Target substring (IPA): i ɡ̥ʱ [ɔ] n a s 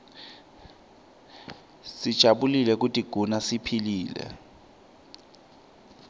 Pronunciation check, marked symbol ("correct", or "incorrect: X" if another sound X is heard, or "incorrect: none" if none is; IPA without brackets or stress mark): incorrect: u